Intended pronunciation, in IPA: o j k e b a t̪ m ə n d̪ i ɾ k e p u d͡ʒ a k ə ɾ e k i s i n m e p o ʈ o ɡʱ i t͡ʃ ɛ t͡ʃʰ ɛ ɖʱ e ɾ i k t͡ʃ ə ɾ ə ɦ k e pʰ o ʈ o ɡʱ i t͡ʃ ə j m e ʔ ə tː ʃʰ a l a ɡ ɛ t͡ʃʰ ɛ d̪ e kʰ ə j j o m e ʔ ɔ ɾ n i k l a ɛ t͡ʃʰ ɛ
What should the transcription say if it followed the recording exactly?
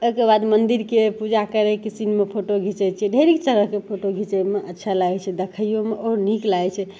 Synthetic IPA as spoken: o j k e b a d̪ m ə n d̪ i ɾ k e p u d͡ʒ a k ə ɾ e k i s i n m e pʰ o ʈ o ɡʱ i t͡ʃ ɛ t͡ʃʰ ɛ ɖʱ e ɾ i k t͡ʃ ə ɾ ə ɦ k e pʰ o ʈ o ɡʱ i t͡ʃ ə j m e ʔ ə tː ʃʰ a l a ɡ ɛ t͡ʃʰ ɛ d̪ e kʰ ə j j o m e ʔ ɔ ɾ n i k l a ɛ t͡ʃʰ ɛ